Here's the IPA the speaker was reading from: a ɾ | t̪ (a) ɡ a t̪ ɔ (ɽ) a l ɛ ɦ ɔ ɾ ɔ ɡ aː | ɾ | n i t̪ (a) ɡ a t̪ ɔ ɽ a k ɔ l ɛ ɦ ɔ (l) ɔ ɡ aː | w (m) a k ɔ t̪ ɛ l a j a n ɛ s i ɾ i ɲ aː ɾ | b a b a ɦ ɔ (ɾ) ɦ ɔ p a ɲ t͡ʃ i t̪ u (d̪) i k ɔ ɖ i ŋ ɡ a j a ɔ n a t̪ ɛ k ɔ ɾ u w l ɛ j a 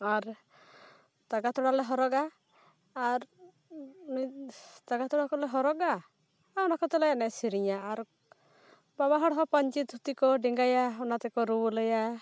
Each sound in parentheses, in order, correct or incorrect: correct, correct, correct, incorrect, incorrect, incorrect, incorrect

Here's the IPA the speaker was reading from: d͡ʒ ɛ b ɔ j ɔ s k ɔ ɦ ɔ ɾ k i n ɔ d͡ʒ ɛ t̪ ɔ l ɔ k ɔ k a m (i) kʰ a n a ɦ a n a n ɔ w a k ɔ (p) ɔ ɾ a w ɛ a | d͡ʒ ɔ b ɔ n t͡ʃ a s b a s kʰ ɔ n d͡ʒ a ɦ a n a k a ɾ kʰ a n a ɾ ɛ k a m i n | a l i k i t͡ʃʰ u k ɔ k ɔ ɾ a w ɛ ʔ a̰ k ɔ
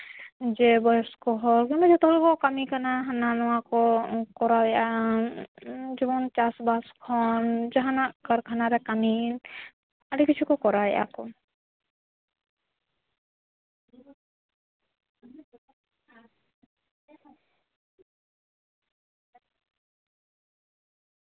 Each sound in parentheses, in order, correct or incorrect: correct, incorrect

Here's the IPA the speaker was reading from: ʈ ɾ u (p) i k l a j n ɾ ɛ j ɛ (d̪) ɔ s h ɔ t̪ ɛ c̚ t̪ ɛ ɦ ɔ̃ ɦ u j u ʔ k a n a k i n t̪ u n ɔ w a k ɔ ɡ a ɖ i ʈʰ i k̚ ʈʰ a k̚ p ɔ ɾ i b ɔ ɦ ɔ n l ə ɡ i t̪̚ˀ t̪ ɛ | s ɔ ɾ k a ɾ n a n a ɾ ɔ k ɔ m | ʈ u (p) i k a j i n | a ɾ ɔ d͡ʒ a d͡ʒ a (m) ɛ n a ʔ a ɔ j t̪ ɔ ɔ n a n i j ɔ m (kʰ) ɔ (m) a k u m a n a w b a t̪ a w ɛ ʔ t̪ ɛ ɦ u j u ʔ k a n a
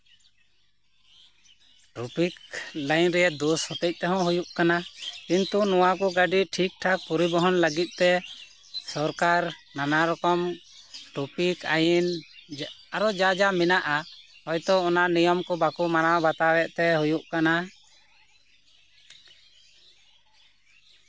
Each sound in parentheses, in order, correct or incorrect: correct, correct, correct, correct, incorrect, incorrect

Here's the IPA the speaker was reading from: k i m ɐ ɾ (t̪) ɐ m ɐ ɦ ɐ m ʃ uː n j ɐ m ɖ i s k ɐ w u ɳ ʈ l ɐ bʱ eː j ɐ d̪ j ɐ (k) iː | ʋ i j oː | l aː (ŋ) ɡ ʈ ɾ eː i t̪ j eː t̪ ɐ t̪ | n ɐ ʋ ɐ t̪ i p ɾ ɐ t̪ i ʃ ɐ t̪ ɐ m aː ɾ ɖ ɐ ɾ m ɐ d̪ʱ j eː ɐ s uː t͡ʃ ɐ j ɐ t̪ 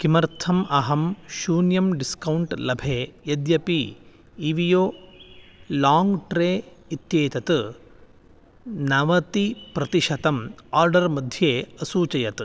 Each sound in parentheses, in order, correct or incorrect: incorrect, incorrect, correct

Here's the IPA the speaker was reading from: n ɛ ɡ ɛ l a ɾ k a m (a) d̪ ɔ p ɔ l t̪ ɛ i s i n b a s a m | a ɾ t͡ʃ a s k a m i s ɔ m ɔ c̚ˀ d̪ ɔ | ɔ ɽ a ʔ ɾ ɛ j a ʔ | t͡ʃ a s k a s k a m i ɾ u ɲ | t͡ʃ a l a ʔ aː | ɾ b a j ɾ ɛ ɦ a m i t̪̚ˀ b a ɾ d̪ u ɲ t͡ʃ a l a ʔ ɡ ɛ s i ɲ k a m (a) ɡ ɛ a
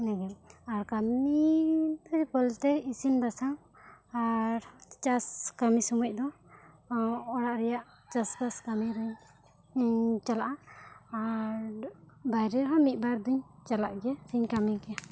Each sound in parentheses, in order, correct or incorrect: incorrect, incorrect

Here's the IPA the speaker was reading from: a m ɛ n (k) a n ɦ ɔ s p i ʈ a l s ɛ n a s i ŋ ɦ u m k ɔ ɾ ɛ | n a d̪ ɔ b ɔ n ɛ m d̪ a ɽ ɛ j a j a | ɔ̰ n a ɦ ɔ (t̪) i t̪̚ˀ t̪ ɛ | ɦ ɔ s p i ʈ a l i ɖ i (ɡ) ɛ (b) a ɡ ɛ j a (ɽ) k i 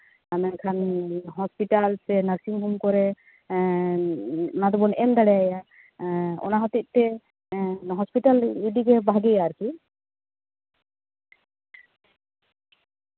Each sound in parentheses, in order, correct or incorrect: incorrect, correct, correct, correct, incorrect

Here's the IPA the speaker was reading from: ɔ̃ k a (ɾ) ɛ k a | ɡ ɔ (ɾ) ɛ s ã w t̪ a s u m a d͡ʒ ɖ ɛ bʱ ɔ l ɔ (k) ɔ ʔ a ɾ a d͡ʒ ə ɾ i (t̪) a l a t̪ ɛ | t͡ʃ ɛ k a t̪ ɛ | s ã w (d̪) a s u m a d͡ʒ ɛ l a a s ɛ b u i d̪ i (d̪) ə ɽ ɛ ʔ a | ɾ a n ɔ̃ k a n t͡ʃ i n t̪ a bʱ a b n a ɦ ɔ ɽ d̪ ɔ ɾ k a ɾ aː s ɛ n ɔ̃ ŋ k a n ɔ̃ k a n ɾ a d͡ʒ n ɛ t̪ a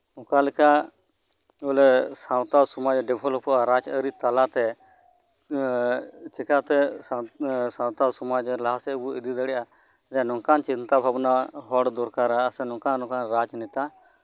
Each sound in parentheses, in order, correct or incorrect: incorrect, incorrect, incorrect, correct, incorrect, correct

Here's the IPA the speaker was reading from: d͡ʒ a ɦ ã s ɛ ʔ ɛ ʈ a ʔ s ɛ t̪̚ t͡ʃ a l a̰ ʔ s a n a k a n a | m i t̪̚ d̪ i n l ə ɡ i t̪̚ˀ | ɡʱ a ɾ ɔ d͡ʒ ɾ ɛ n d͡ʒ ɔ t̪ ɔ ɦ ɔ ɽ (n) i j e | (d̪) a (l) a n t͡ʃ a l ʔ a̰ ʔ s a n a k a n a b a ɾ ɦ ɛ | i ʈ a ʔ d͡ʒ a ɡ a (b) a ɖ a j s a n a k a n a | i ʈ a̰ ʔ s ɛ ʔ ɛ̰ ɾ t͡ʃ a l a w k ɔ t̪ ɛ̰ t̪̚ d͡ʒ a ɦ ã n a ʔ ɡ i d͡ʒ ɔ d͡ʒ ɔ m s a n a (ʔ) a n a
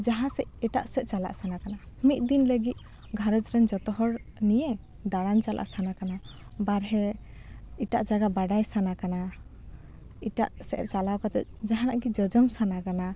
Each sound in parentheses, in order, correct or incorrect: correct, correct, incorrect, correct, incorrect

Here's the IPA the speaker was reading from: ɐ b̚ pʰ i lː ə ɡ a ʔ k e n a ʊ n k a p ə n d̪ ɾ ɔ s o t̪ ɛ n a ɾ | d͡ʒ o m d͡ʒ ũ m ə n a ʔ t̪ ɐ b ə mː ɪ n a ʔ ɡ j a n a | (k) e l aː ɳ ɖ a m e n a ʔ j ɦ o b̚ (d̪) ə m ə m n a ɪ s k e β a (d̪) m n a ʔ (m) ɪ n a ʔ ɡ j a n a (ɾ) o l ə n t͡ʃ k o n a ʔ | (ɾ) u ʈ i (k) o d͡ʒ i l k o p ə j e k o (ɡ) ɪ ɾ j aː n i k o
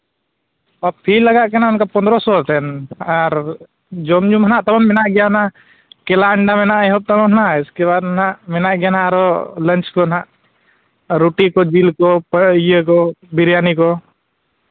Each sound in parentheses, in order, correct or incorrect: correct, incorrect, correct, correct, correct, correct, correct, incorrect

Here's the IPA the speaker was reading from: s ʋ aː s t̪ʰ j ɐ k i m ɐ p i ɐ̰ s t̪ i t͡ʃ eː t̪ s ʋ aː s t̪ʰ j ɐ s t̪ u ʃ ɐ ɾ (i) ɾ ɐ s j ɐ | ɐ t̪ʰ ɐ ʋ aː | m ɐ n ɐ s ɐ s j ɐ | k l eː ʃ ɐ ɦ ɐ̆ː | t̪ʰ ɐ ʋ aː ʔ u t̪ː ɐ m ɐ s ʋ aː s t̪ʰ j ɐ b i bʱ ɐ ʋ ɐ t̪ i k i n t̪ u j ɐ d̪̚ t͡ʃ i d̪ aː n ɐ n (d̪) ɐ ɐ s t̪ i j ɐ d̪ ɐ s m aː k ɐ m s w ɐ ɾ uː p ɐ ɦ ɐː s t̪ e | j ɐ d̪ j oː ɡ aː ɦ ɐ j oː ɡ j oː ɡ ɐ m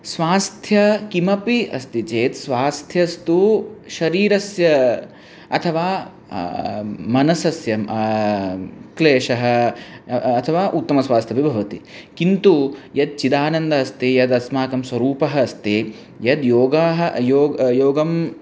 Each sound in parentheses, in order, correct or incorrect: incorrect, correct

